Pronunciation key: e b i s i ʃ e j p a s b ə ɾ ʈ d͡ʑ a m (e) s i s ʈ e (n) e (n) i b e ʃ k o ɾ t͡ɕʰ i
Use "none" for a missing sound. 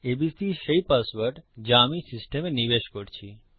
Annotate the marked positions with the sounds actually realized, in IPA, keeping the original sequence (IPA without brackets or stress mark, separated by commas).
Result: i, m, n